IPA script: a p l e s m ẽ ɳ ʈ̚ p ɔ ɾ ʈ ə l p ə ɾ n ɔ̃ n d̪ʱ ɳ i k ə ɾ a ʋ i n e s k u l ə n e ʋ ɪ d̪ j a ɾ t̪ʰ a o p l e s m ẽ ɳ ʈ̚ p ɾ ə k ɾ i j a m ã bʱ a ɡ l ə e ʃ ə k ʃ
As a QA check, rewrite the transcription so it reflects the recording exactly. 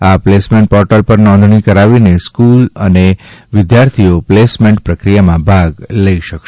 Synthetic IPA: a p l e s m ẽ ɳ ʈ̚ p ɔ ɾ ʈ ə l p ə ɾ n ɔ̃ n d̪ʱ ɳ i k ə ɾ a ʋ i n e s k u l ə n e ʋ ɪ d̪ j a ɾ t̪ʰ i o p l e s m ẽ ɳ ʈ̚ p ɾ ə k ɾ i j a m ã bʱ a ɡ l ə i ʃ ə k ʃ